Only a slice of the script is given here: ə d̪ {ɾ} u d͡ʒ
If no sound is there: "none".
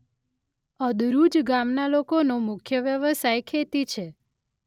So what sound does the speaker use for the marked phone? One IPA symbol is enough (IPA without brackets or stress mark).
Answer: ɾ